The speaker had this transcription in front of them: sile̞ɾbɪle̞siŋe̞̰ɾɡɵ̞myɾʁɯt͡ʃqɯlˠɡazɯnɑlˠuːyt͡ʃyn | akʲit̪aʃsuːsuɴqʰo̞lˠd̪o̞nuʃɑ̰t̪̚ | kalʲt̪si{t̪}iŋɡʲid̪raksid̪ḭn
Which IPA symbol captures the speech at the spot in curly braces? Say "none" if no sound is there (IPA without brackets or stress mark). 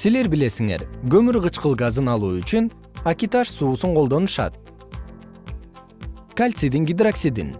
d̪